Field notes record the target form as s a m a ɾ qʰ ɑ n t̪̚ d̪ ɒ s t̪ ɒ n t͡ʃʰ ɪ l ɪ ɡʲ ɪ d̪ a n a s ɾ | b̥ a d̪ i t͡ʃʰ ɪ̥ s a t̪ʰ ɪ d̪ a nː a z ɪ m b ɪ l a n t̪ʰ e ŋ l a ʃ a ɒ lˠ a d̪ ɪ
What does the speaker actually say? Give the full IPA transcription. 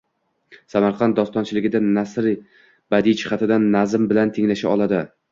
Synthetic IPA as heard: s a m a ɾ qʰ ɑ n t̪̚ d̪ ɒ s t̪ ɒ n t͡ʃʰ ɪ l ɪ ɡʲ ɪ d̪ a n a s ɾ | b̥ a d̪ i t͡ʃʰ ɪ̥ χ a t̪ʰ ɪ d̪ a nː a z ɪ m b ɪ l a n t̪ʰ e ŋ l a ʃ a ɒ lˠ a d̪ ɪ

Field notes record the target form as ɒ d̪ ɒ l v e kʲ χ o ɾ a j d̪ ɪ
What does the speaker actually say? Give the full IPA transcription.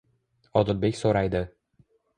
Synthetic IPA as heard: ɒ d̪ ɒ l b e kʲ s o ɾ a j d̪ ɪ

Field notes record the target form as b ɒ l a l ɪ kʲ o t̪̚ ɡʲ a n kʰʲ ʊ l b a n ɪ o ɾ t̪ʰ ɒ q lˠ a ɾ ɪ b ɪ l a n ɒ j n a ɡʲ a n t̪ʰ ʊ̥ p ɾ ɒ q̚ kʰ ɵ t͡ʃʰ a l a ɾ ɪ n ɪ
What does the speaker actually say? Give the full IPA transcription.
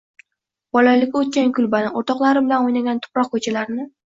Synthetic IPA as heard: b ɒ l a l ɪ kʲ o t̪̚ kʲ a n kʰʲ ʊ l b a n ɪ o ɾ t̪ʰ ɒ q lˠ a ɾ ɪ b ɪ l a n o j n a ɡʲ a n t̪ʰ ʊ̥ p ɾ ɒ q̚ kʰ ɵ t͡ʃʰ a l a ɾ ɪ n ɪ

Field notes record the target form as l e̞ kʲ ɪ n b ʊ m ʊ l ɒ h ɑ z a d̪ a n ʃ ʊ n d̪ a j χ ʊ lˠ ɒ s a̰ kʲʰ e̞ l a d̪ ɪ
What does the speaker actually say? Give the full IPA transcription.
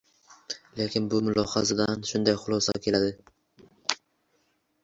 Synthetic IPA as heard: l e̞ kʲ ɪ n b ʊ m ʊ l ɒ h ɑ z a d̪ a n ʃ ʊ n d̪ a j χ ʊ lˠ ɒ s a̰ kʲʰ e̞ l a d̪ ɪ

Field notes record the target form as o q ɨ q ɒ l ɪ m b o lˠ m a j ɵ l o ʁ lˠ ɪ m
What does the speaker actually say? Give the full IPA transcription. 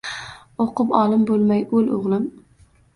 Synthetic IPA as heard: o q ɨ p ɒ l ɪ m b o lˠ m a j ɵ l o ʁ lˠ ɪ m

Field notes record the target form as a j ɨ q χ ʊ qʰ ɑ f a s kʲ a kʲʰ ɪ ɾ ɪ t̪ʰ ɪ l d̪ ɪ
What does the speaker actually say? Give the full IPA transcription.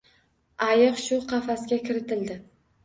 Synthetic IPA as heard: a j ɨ q ʃ ʊ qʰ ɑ f a s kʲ a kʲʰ ɪ ɾ ɪ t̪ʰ ɪ l d̪ ɪ

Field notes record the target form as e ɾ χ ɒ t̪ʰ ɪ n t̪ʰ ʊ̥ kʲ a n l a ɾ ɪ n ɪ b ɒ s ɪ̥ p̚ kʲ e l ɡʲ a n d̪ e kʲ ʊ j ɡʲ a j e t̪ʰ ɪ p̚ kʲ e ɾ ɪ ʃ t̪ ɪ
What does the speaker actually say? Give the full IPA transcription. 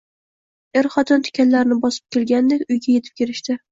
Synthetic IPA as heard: e ɾ χ ɒ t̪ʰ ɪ n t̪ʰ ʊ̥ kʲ a n l a ɾ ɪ n ɪ b ɒ s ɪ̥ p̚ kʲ e l ɡʲ a n d̪ e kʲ ʊ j ɡʲ a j e t̪ʰ ɪ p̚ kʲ e ɾ ɪ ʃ t̪ ɪ

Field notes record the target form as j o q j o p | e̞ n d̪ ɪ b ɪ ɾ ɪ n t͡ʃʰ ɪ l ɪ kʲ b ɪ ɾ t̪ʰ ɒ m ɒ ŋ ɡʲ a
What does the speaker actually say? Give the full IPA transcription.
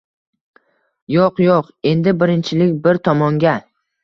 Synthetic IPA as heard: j o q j o q | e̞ n d̪ ɪ b ɪ ɾ ɪ n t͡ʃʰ ɪ l ɪ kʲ b ɪ ɾ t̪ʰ ɒ m ɒ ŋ ɡʲ a

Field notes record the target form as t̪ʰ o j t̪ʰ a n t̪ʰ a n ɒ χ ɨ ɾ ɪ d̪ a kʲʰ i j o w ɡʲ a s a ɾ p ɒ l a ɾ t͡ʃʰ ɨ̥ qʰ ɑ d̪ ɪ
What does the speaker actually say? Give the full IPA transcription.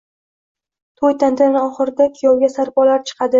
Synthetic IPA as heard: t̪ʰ o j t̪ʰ a n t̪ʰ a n ɒ χ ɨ ɾ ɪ d̪ a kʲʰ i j ɒ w ɡʲ a s a ɾ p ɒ l a ɾ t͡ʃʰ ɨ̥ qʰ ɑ d̪ ɪ

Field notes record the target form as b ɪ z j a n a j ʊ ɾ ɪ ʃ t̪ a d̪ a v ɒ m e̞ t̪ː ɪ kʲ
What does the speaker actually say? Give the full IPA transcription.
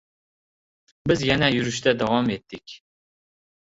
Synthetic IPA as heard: b ɪ z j a n a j ʊ ɾ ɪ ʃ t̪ a d̪ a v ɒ m e̞ t̪ː ɪ kʲ

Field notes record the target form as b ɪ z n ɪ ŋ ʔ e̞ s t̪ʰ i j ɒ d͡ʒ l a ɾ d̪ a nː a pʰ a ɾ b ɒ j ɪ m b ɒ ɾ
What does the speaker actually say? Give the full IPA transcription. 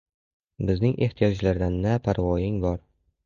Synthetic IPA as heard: b ɪ z n ɪ ŋ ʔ e̞ h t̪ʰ i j ɒ d͡ʒ l a ɾ d̪ a nː a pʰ a ɾ v ɒ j ɪ ŋ b ɒ ɾ

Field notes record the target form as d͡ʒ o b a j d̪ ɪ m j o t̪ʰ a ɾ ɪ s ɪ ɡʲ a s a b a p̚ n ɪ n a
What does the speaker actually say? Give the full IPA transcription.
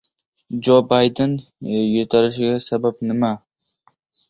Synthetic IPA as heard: d͡ʒ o b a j d̪ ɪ n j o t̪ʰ a ɾ ɪ ʃ ɪ ɡʲ a s a b a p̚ n ɪ m a

